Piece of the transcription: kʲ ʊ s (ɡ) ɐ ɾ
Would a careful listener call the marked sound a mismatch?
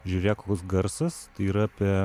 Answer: no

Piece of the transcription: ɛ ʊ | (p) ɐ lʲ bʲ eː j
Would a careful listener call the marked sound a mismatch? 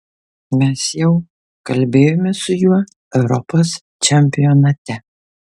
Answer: yes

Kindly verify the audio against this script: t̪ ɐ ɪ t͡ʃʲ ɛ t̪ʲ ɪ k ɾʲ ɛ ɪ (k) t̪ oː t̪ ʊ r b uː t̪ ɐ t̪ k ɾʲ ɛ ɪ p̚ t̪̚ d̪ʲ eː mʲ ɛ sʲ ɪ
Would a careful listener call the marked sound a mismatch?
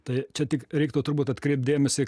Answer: no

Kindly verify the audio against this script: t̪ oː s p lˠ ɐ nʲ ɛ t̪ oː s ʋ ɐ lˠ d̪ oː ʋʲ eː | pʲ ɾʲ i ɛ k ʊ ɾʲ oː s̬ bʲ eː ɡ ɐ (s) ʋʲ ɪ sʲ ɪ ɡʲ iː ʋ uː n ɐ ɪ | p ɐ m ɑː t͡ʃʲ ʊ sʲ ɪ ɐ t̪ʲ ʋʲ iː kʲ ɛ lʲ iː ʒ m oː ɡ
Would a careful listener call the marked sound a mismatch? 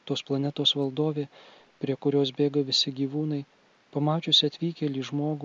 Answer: yes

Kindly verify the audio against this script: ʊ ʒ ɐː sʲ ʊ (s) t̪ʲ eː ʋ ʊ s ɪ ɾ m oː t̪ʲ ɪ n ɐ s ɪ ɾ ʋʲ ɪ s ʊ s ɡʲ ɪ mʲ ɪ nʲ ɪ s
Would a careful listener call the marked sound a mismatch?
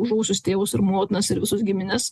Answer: no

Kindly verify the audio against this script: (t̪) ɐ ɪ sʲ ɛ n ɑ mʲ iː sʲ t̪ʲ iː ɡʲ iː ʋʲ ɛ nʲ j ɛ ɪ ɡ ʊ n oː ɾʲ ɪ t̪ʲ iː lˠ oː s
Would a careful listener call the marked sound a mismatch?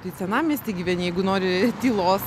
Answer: no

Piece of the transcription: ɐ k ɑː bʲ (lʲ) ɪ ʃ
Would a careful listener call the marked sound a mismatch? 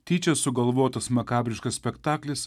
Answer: yes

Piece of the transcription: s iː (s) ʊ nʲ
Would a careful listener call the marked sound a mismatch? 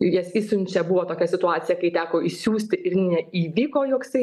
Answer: no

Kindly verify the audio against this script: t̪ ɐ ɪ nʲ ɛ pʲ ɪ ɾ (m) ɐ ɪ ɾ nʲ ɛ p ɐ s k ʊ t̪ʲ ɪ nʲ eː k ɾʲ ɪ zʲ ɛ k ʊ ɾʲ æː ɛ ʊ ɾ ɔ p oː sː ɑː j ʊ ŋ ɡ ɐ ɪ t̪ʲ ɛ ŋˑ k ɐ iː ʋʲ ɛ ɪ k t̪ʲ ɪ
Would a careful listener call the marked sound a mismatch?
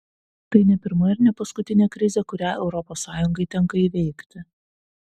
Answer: no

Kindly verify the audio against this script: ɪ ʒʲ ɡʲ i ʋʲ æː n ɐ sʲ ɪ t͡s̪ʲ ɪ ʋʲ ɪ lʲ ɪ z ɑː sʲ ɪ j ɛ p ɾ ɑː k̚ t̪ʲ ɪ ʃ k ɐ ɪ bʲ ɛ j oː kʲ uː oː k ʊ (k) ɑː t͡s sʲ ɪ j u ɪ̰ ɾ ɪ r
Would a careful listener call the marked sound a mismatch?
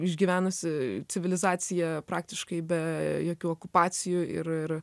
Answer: yes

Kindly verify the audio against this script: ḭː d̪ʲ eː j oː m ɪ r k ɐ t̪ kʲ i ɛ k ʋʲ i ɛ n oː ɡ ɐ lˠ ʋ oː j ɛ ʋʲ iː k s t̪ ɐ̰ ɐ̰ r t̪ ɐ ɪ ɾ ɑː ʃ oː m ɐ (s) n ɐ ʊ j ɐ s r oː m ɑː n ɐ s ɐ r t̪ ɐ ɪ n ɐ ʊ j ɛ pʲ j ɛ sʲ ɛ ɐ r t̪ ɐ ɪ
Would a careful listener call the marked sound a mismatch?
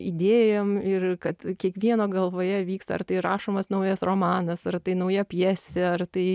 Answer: no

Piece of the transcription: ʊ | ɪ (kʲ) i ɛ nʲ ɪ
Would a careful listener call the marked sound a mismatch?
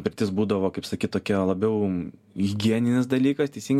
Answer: yes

